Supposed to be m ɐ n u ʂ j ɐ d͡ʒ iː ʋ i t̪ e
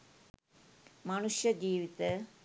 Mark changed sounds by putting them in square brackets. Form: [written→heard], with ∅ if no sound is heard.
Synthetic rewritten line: m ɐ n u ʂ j ɐ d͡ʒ iː ʋ i t̪ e

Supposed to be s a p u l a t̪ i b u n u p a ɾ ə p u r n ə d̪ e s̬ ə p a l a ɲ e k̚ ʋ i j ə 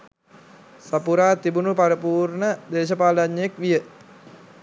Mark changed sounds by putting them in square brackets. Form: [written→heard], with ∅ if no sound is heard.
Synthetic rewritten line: s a p u [l→ɾ] a t̪ i b u n u p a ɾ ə p u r n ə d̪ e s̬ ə p a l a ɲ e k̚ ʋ i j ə

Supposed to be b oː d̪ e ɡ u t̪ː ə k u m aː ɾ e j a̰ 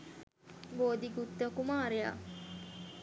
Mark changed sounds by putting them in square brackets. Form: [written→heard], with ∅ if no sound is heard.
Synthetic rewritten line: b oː d̪ [e→i] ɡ u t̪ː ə k u m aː ɾ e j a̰

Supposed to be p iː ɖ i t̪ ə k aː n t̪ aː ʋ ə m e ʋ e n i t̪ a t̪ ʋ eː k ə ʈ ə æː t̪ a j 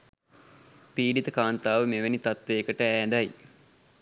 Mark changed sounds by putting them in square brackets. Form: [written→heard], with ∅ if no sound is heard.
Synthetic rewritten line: p iː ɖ i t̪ ə k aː n t̪ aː ʋ ə m e ʋ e n i t̪ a t̪ ʋ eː k ə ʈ ə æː [t̪→d̪] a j

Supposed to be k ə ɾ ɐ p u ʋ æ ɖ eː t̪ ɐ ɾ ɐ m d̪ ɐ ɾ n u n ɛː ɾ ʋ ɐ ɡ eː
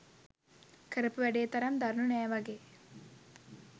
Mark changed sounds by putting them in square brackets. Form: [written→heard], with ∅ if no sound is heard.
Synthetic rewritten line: k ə ɾ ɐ p u ʋ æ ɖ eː t̪ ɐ ɾ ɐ m d̪ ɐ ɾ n u n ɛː [ɾ→∅] ʋ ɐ ɡ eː

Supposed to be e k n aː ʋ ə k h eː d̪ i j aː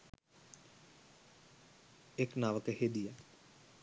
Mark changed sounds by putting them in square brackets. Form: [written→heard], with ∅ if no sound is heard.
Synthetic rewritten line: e k n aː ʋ ə k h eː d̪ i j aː

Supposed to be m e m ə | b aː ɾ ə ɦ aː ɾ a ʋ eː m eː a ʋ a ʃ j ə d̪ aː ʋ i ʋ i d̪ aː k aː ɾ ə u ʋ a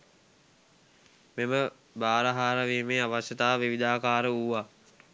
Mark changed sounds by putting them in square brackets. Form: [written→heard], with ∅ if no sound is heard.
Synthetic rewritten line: m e m ə | b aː ɾ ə ɦ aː ɾ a ʋ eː m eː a ʋ a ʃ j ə [d̪→t̪] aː ʋ i ʋ i d̪ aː k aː ɾ ə u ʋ a

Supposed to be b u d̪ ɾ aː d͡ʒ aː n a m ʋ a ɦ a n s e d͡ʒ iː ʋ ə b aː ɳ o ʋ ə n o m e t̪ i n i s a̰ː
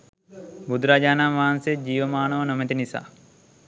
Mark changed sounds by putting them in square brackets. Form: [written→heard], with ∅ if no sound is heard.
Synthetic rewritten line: b u d̪ ɾ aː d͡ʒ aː n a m ʋ a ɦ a n s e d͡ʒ iː ʋ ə [b→m] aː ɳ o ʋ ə n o m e t̪ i n i s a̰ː

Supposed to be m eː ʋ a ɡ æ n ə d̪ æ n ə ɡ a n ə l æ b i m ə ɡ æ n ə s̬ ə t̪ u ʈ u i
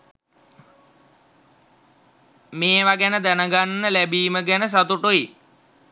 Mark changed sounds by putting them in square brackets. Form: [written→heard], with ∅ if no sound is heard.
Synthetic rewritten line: m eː ʋ a ɡ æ n ə d̪ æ n ə ɡ a [n→nː] ə l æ b [i→iː] m ə ɡ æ n ə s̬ [ə→a] t̪ u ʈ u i

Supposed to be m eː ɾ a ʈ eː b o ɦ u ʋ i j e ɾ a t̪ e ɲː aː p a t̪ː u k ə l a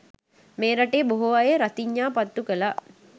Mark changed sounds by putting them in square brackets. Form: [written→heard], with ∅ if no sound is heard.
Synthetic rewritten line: m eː ɾ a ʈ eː b o ɦ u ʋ [i→a] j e ɾ a t̪ [e→i] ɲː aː p a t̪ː u k ə l a

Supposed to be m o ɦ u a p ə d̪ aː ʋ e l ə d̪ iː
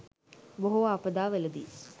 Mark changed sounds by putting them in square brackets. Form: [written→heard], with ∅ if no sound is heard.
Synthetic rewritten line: [m→b] o ɦ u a p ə d̪ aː ʋ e l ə d̪ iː

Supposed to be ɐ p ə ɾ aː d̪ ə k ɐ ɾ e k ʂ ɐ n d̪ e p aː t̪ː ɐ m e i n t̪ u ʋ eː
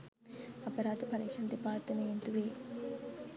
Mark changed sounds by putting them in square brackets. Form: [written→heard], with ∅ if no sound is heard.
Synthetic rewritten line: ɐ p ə ɾ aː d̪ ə [k→p] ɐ ɾ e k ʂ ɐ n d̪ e p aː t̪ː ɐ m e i n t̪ u ʋ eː

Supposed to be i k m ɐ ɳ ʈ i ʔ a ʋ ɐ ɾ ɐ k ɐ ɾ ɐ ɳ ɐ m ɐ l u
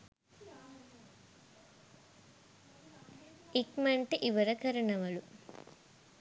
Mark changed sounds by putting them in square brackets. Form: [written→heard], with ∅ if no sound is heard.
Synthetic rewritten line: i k m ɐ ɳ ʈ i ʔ [a→i] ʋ ɐ ɾ ɐ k ɐ ɾ ɐ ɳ ɐ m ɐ l u

